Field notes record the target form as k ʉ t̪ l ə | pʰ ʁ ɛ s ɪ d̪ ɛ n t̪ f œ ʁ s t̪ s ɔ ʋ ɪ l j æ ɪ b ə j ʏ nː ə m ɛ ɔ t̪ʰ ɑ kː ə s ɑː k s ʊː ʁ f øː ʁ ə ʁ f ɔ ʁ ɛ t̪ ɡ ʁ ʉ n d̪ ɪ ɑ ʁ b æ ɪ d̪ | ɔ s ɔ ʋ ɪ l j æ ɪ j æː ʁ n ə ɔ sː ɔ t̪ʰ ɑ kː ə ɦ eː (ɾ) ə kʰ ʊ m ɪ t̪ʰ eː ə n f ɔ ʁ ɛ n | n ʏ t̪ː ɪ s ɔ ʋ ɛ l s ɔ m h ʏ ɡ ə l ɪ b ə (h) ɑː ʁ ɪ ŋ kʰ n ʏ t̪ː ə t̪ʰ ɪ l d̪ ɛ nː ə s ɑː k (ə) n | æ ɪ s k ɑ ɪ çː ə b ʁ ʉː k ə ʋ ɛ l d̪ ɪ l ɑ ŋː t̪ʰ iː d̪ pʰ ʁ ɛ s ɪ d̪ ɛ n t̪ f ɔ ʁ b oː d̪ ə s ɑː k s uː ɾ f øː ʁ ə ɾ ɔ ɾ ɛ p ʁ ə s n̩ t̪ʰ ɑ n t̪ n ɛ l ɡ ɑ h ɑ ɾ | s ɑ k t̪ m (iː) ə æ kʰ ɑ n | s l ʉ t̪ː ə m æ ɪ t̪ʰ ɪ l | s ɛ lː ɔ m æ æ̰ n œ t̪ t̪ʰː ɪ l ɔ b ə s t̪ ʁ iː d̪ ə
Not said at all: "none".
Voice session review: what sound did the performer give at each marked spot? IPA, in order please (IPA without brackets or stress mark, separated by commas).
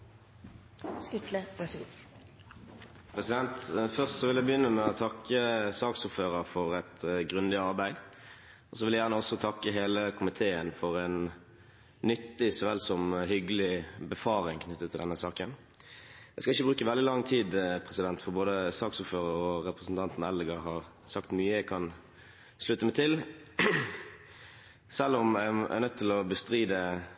l, f, ə, yː